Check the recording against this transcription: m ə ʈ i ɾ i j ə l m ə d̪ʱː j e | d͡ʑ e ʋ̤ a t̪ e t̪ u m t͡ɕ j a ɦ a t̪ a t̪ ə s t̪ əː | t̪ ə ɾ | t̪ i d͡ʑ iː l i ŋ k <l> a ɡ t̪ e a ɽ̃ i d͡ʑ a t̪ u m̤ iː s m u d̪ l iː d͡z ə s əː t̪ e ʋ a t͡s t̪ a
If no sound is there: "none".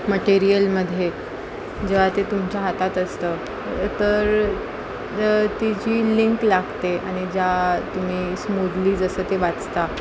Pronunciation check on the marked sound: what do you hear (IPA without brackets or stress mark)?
l